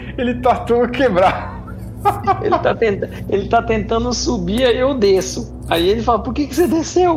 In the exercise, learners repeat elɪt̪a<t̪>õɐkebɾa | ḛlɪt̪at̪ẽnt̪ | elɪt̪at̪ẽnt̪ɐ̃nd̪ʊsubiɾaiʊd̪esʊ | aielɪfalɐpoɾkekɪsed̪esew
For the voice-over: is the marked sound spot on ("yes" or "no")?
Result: yes